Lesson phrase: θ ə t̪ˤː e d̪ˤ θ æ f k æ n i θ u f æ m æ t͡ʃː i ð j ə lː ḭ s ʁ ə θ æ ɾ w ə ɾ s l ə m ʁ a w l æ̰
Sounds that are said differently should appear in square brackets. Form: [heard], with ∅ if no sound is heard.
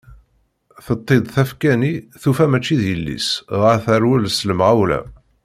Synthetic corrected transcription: θ ə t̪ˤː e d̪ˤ θ æ f k æ n i θ u f æ m æ t͡ʃː i ð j ə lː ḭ s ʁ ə θ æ ɾ w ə [l] s l ə m ʁ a w l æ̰

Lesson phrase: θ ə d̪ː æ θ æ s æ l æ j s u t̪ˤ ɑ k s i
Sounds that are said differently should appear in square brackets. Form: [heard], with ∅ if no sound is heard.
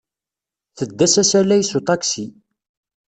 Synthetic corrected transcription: θ ə d̪ː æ [s] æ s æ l æ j s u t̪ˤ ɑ k s i

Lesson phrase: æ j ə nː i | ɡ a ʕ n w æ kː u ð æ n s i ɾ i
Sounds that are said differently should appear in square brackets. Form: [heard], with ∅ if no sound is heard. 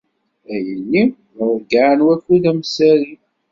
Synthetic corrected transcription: æ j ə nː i | ɡ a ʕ n w æ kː u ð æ [m] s [æ] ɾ i

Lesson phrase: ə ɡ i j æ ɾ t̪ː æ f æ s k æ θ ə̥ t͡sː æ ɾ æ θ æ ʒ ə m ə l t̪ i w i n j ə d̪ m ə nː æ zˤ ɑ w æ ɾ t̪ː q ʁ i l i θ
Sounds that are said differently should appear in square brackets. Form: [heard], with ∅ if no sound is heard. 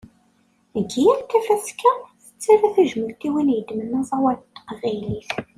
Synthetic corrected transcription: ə ɡ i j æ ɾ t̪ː æ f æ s k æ θ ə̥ t͡sː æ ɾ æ θ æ ʒ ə m ə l t̪ i w i n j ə d̪ m ə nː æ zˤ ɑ w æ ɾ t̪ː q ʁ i l i θ

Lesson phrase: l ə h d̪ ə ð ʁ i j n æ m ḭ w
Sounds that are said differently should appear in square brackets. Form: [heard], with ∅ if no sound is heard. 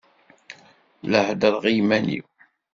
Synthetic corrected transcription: l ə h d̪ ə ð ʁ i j [m] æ [n] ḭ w

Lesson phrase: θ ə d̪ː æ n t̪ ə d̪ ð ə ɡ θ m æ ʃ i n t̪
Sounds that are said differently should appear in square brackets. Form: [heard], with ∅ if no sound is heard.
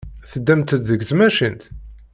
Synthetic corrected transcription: θ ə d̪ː æ [m] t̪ ə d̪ ð ə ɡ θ m æ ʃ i n t̪

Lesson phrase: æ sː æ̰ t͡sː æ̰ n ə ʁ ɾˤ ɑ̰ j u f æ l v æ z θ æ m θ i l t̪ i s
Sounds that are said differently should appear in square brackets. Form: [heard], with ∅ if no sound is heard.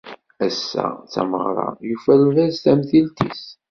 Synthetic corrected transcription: æ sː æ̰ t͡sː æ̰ [m] ə ʁ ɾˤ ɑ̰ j u f æ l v æ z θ æ m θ i l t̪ i s

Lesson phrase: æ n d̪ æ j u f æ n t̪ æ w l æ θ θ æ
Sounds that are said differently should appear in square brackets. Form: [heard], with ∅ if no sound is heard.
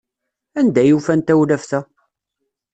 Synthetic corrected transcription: æ n d̪ æ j u f æ n t̪ æ w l æ [f] θ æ

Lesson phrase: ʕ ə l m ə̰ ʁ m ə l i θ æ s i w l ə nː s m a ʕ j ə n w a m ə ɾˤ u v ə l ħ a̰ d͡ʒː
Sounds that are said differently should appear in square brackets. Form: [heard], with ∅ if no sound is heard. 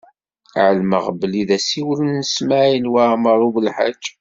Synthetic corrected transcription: ʕ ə l m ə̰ ʁ [b] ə l i [ð] æ s i w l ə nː s m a ʕ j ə n w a m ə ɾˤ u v ə l ħ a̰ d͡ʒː

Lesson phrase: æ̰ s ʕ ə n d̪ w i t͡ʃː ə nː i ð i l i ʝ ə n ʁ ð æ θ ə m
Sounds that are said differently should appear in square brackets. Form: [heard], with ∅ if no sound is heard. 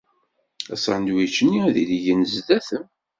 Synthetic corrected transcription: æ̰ s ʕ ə n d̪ w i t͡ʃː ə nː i ð i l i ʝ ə n [z] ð æ θ ə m

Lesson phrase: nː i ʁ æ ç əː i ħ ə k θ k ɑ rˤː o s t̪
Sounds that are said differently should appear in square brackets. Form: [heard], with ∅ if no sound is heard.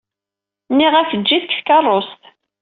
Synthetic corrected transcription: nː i ʁ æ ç əː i [θ] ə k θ k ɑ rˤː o s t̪

